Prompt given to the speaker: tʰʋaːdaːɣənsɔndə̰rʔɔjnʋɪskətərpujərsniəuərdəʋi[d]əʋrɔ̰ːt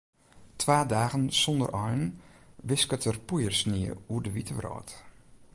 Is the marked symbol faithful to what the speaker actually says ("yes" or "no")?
no